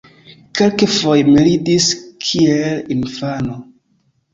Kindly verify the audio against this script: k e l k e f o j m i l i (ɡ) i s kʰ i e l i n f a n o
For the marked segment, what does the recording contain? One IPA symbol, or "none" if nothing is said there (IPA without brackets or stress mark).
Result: d